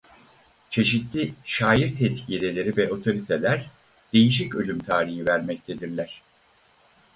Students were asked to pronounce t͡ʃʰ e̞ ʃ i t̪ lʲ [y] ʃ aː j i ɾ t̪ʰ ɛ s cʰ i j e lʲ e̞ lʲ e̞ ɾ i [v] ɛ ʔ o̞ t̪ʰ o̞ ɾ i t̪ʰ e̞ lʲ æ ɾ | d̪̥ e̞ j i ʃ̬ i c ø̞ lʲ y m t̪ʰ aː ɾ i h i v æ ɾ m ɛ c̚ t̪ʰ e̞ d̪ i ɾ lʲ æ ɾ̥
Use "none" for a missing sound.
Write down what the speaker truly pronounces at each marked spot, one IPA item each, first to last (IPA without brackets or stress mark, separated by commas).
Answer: i, v